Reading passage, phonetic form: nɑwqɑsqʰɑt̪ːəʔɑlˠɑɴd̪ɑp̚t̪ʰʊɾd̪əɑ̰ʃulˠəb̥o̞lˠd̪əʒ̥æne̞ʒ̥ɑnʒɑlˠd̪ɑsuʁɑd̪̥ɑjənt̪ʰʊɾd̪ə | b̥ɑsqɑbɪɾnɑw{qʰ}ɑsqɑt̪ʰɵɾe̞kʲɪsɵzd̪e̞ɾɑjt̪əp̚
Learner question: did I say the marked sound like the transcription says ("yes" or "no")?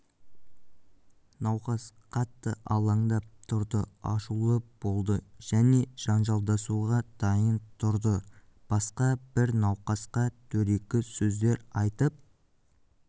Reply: no